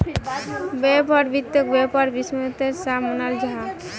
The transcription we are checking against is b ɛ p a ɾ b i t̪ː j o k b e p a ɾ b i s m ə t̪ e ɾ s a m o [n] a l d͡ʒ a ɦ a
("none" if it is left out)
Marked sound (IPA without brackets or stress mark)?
n